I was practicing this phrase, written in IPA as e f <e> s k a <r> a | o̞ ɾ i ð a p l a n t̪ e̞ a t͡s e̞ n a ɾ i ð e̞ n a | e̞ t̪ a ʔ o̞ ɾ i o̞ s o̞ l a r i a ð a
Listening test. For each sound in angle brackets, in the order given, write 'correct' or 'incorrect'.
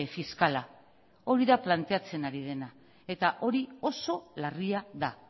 incorrect: i, incorrect: l

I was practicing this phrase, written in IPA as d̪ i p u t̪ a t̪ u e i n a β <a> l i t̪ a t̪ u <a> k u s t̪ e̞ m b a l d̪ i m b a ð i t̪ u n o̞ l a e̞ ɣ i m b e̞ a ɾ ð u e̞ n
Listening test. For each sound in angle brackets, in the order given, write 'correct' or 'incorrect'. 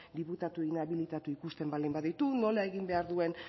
incorrect: i, incorrect: i

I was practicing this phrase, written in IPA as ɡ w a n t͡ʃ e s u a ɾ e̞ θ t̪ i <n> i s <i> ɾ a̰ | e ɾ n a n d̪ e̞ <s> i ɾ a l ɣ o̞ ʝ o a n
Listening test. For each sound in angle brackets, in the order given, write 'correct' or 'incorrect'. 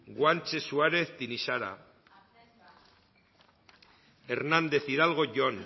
correct, incorrect: a, incorrect: θ

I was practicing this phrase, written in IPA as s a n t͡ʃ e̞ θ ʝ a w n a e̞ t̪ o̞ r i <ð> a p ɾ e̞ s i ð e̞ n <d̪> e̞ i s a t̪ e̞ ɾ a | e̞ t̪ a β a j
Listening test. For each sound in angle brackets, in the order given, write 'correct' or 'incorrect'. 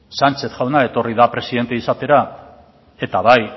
correct, incorrect: t̪

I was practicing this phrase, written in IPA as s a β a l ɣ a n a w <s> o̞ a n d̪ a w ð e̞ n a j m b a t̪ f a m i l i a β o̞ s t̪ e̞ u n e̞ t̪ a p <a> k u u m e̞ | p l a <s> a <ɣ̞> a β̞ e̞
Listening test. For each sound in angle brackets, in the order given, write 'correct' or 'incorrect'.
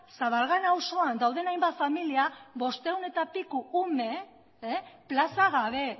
correct, incorrect: i, correct, correct

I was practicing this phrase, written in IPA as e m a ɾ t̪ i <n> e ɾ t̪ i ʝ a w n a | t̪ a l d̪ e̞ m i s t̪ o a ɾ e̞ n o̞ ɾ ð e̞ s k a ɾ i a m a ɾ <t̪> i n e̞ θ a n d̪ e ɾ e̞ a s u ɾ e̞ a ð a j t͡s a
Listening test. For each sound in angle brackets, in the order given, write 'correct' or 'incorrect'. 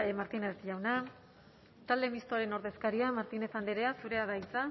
correct, correct

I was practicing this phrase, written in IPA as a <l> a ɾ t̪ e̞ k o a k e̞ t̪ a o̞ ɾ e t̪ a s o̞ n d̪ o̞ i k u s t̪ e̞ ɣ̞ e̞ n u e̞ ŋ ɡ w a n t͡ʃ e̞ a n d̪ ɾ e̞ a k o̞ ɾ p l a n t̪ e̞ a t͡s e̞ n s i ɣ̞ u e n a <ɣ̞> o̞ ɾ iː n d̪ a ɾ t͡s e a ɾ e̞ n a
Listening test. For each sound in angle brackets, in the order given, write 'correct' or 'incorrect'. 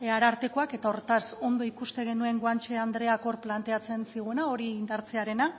incorrect: ɾ, incorrect: none

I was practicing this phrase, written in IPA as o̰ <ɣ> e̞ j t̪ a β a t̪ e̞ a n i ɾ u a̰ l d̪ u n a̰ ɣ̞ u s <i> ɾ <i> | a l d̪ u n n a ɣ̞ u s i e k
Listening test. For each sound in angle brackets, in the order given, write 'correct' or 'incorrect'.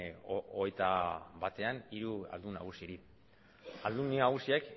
correct, correct, correct

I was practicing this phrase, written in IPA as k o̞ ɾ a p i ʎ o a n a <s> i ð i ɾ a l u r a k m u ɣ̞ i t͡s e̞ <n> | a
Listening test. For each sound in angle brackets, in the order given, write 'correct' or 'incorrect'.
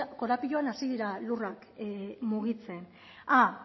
correct, correct

